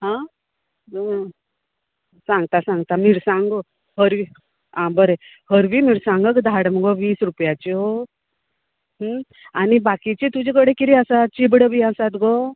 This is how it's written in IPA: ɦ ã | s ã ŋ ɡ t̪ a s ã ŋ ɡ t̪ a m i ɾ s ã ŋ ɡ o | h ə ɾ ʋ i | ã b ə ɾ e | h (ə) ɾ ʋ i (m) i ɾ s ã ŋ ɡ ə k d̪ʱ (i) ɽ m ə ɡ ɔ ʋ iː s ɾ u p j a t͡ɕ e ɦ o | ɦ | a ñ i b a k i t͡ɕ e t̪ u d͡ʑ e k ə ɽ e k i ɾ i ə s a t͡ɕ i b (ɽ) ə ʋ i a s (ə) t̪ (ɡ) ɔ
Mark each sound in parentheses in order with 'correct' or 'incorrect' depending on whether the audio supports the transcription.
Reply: correct, correct, incorrect, correct, incorrect, correct

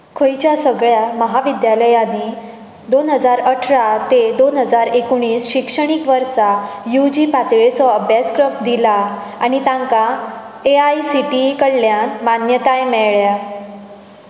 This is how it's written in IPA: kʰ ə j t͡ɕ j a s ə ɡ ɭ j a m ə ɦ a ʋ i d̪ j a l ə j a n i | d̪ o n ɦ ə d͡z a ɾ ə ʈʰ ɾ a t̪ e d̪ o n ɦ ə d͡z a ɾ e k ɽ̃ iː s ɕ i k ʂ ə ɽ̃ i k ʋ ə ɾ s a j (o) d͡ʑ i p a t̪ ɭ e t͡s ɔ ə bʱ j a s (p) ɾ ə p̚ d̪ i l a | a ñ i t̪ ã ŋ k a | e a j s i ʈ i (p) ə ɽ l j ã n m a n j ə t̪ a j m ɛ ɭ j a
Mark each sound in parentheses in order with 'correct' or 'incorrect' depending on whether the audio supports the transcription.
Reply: incorrect, incorrect, incorrect

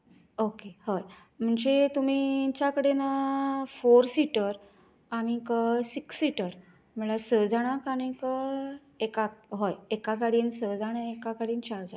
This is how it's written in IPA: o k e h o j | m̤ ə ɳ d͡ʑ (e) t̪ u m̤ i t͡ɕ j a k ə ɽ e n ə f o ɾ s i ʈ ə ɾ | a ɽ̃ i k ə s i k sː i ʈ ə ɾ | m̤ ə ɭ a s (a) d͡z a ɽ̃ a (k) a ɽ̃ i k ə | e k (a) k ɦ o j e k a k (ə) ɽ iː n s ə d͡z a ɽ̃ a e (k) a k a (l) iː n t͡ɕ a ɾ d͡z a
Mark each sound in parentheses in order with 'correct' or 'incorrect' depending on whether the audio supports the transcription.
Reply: correct, incorrect, correct, correct, incorrect, correct, incorrect

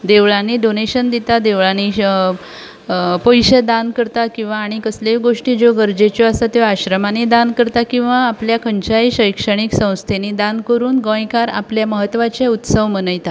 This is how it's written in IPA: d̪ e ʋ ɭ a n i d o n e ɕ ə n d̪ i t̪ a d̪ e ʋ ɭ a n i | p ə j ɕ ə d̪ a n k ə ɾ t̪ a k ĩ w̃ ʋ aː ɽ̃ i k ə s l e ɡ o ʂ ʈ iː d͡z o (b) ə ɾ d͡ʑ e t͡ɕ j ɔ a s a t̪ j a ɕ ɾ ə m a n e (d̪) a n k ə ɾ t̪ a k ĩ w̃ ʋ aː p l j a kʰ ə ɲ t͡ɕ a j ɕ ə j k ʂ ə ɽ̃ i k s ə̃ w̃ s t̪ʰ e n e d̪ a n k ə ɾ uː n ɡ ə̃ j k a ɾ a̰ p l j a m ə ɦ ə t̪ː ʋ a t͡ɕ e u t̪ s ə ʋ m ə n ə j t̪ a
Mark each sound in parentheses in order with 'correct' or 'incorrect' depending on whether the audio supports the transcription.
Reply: incorrect, correct

